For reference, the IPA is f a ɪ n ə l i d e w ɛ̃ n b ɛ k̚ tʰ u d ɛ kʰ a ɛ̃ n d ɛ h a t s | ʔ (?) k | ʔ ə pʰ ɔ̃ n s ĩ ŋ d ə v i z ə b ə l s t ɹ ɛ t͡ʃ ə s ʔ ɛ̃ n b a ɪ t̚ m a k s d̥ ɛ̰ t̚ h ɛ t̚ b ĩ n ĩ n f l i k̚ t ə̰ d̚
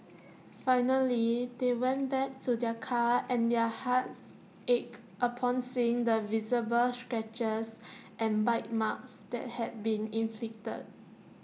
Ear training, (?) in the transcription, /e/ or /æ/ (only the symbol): e